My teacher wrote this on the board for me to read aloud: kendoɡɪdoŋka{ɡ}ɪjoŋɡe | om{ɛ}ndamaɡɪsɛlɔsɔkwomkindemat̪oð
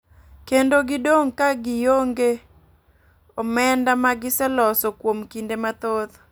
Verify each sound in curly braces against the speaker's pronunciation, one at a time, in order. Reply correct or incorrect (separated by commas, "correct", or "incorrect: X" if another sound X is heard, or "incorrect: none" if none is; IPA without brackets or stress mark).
correct, correct